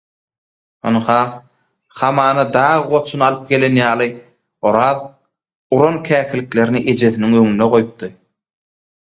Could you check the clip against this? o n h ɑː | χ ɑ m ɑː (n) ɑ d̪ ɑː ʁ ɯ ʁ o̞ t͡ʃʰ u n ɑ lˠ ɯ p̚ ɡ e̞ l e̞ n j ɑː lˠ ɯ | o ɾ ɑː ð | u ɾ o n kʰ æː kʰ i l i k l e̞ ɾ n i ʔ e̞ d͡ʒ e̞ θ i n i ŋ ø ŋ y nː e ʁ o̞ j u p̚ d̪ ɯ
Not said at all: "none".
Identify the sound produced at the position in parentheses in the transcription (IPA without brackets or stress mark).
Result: n